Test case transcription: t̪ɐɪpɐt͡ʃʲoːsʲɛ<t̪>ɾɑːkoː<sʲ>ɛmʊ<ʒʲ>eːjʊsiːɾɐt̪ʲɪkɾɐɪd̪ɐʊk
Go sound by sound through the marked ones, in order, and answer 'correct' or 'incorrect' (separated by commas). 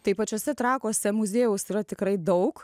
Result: correct, correct, incorrect